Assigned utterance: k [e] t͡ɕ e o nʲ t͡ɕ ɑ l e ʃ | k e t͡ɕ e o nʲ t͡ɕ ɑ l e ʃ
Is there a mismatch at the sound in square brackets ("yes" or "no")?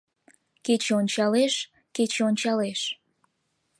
no